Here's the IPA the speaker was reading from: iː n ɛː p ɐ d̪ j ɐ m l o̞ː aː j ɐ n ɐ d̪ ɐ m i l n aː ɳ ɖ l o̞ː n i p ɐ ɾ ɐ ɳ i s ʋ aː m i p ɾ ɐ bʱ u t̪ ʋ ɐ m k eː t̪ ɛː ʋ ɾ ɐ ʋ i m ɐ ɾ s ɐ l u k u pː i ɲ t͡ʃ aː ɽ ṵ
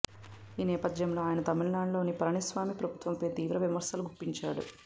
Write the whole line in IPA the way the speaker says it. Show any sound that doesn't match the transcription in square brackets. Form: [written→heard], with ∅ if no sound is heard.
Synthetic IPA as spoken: iː n ɛː p ɐ d̪ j ɐ m l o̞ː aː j ɐ n ɐ [d̪→t̪] ɐ m i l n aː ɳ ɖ l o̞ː n i p ɐ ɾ ɐ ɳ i s ʋ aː m i p ɾ ɐ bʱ u t̪ ʋ ɐ m [k→p] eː t̪ [ɛː→iː] ʋ ɾ ɐ ʋ i m ɐ ɾ s ɐ l u [k→ɡ] u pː i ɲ t͡ʃ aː ɽ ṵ